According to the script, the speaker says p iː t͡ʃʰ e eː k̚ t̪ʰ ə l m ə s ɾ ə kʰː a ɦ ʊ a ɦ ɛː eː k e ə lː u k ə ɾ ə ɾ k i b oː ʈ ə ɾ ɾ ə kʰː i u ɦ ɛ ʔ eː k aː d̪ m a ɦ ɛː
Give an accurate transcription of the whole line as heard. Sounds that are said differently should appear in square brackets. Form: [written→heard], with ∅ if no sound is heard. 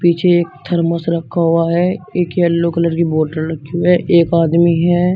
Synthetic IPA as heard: p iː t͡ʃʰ e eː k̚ t̪ʰ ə [l→ɾ] m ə s ɾ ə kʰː a ɦ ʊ a ɦ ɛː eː k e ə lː [u→o] k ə [ɾ→l] ə ɾ k i b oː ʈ ə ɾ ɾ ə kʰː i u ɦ ɛ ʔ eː k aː d̪ m [a→i] ɦ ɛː

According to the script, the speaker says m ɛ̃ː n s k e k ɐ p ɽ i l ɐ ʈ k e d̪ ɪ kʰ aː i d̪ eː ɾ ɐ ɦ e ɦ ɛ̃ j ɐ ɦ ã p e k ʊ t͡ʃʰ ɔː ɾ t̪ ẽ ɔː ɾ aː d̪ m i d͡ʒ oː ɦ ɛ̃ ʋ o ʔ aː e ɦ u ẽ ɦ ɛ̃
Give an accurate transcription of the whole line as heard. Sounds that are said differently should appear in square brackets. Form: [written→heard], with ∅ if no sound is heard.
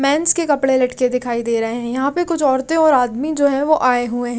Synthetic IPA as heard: m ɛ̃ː n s k e k ɐ p ɽ [i→e] l ɐ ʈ k e d̪ ɪ kʰ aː i d̪ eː ɾ ɐ ɦ e ɦ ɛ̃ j ɐ ɦ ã p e k ʊ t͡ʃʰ ɔː ɾ t̪ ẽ ɔː ɾ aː d̪ m i d͡ʒ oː ɦ ɛ̃ ʋ o ʔ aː e ɦ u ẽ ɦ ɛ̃

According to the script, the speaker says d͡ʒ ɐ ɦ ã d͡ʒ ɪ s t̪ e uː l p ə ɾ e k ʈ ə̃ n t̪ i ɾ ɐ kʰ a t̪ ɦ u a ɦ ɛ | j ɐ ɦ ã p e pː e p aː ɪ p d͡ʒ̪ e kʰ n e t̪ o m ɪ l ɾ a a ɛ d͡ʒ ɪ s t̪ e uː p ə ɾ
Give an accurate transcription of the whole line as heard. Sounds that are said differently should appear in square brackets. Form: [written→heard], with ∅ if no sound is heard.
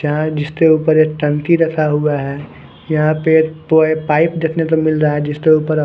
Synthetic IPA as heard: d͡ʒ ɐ ɦ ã d͡ʒ ɪ s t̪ e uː [l→∅] p ə ɾ e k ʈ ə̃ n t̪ i ɾ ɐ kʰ a [t̪→∅] ɦ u a ɦ ɛ | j ɐ ɦ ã p e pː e p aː ɪ p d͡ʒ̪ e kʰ n e t̪ o m ɪ l ɾ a a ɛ d͡ʒ ɪ s t̪ e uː p ə ɾ

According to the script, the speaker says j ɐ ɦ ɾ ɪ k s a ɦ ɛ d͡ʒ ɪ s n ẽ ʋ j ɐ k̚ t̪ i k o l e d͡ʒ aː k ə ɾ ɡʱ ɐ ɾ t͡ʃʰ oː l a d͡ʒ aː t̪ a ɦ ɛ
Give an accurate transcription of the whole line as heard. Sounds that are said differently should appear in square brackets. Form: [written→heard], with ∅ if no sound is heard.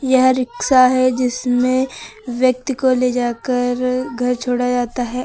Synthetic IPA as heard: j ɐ ɦ ɾ ɪ k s a ɦ ɛ d͡ʒ ɪ s [n→m] ẽ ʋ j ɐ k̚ t̪ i k o l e d͡ʒ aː k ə ɾ ɡʱ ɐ ɾ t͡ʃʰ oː [l→ɽ] a d͡ʒ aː t̪ a ɦ ɛ

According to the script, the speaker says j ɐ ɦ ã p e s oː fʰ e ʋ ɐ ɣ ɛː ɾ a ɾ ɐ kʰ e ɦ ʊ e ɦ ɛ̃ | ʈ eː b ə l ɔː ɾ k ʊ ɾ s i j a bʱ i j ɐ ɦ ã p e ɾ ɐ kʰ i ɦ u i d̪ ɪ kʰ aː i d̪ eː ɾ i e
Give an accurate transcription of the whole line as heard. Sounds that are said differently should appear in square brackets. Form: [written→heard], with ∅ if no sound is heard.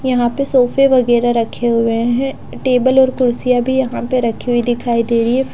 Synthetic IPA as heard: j ɐ ɦ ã p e s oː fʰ e ʋ ɐ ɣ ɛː ɾ a ɾ ɐ kʰ e ɦ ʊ e ɦ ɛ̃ | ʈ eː b ə l ɔː ɾ k ʊ ɾ s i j a bʱ i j ɐ ɦ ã p e ɾ ɐ kʰ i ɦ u i d̪ ɪ kʰ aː i d̪ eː ɾ i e

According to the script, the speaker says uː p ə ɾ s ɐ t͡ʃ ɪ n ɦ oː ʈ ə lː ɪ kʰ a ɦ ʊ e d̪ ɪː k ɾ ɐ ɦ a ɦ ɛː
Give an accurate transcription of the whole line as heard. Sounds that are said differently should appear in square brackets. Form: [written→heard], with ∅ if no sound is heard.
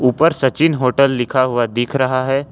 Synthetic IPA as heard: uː p ə ɾ s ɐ t͡ʃ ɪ n ɦ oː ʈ ə lː ɪ kʰ a ɦ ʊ [e→a] d̪ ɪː [k→kʰ] ɾ ɐ ɦ a ɦ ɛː

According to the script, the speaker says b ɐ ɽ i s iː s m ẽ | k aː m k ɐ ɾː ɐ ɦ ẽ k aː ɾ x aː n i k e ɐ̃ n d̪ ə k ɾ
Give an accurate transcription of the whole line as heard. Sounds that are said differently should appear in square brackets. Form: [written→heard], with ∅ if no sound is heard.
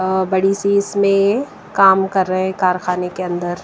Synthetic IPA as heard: b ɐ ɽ i s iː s m ẽ | k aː m k ɐ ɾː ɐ ɦ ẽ k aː ɾ x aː n [i→e] k e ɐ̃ n d̪ ə [k→∅] ɾ

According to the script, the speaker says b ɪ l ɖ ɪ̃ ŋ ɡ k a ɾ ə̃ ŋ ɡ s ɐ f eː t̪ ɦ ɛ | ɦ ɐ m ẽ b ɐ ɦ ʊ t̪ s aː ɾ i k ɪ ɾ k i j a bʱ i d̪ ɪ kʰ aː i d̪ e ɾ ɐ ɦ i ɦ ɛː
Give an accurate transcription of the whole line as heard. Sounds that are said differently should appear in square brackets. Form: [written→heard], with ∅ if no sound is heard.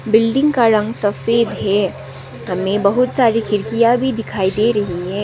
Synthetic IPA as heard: b ɪ l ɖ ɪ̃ ŋ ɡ k a ɾ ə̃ ŋ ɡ s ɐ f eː [t̪→d̪] ɦ ɛ | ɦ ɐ m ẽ b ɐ ɦ ʊ t̪ s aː ɾ i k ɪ ɾ k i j a bʱ i d̪ ɪ kʰ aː i d̪ e ɾ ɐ ɦ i ɦ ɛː

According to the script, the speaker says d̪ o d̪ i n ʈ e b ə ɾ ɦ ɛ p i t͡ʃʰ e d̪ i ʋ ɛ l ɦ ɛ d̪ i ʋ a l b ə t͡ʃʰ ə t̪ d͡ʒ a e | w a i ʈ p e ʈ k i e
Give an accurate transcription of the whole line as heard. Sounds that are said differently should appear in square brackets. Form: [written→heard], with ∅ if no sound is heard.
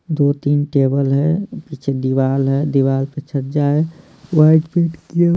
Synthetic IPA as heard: d̪ o [d̪→t̪] i n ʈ e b ə [ɾ→l] ɦ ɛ p i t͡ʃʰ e d̪ i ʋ [ɛ→a] l ɦ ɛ d̪ i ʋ a l [b→p] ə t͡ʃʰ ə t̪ d͡ʒ a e | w a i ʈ p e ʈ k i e

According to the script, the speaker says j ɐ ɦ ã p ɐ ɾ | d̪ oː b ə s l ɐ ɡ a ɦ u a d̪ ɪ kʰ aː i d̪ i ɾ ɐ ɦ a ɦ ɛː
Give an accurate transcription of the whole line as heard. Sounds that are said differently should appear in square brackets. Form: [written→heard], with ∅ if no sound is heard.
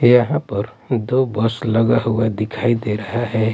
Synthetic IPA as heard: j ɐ ɦ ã p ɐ ɾ | d̪ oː b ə s l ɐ ɡ a ɦ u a d̪ ɪ kʰ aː i d̪ [i→e] ɾ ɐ ɦ a ɦ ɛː

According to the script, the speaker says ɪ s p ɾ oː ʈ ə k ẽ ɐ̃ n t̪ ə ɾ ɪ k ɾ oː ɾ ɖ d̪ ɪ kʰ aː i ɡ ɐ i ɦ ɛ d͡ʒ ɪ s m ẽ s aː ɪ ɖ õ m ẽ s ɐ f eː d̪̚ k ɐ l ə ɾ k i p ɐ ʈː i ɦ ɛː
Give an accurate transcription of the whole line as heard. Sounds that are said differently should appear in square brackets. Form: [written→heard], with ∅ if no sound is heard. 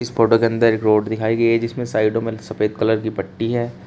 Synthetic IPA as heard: ɪ s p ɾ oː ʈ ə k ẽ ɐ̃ n [t̪→d̪] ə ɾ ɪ k ɾ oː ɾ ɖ d̪ ɪ kʰ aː i ɡ ɐ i ɦ ɛ d͡ʒ ɪ s m ẽ s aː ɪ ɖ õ m ẽ s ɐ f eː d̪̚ k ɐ l ə ɾ k i p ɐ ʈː i ɦ ɛː

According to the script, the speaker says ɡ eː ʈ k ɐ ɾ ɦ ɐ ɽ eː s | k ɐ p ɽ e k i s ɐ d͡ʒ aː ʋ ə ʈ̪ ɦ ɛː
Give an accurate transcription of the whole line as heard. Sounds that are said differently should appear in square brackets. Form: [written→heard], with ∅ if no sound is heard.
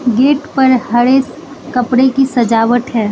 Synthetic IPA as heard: ɡ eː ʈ [k→p] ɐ ɾ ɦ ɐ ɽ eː s | k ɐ p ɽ e k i s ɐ d͡ʒ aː ʋ ə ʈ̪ ɦ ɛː

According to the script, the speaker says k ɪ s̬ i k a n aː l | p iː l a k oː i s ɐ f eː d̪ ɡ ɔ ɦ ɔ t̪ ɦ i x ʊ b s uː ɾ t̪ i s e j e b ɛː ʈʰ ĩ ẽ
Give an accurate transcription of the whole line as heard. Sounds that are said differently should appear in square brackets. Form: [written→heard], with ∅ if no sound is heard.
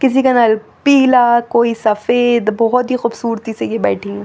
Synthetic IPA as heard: k ɪ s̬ i k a n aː l | p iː l a k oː i s ɐ f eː d̪ [ɡ→b] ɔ ɦ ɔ t̪ ɦ i x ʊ b s uː ɾ t̪ i s e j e b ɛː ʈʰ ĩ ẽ

